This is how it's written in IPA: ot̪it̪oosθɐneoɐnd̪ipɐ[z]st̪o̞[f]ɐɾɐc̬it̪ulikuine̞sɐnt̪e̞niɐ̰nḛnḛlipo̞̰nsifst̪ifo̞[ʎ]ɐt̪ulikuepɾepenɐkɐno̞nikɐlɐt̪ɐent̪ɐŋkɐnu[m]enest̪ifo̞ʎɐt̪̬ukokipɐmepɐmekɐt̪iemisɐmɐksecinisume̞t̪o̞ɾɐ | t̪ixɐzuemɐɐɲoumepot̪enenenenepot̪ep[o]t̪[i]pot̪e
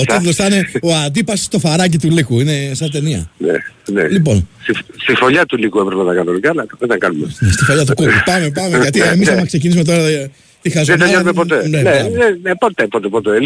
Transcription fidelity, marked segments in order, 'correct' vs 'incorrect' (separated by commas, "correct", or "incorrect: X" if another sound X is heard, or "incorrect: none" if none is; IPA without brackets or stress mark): incorrect: s, correct, correct, correct, correct, incorrect: e